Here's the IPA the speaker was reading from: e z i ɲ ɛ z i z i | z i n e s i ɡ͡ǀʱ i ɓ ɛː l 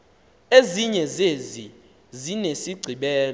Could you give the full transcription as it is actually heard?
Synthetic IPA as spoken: e z i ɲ ɛ z e z i | z i n e s i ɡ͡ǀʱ i ɓ ɛː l